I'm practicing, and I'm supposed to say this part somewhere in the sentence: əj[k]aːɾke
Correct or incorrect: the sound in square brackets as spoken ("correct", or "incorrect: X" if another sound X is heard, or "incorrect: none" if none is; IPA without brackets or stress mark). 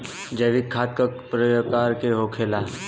correct